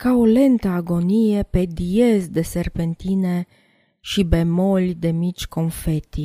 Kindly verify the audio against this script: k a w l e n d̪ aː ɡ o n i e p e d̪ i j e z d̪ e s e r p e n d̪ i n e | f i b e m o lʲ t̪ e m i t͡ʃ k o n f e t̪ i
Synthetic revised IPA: k a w l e n t̪ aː ɡ o n i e p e d̪ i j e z d̪ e s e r p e n t̪ i n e | ʃ i b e m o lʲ d̪ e m i t͡ʃ k o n f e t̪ i